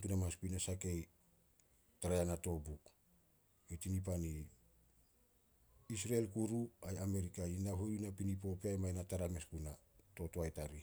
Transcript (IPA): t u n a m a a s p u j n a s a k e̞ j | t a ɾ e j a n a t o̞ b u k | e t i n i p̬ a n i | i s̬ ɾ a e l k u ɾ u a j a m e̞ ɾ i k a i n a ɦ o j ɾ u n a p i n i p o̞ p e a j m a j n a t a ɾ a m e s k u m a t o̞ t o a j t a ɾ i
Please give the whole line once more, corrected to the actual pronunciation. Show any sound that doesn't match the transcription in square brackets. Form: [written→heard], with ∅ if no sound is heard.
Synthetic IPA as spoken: t u n a m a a s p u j n a s a k e̞ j | t a ɾ [e→a] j a n a t o̞ b u k | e t i n i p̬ a n i | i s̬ ɾ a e l k u ɾ u a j a m e̞ ɾ i k a i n a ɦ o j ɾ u n a p i n i p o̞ p e a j m a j n a t a ɾ a m e s k u [m→n] a t o̞ t o a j t a ɾ i